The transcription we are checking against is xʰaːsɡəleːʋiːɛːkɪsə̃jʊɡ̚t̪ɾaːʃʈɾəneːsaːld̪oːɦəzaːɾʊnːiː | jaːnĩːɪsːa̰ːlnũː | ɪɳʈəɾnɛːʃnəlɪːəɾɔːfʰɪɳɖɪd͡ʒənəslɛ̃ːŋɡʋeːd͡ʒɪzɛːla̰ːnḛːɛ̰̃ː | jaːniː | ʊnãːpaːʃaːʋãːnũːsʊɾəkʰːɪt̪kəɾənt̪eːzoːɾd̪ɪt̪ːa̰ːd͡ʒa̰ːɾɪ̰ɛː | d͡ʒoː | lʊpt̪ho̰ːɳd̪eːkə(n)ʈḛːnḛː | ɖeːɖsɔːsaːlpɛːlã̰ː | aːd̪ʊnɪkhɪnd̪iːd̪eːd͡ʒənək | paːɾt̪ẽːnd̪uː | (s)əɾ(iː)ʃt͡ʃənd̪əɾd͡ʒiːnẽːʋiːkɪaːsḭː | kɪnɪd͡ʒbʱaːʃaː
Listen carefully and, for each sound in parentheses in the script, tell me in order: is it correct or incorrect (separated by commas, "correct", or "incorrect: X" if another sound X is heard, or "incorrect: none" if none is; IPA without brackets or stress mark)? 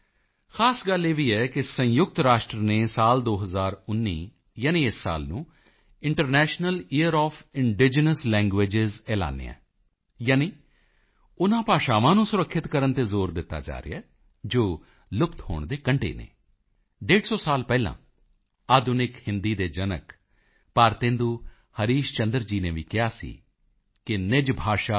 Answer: incorrect: ɳ, incorrect: h, correct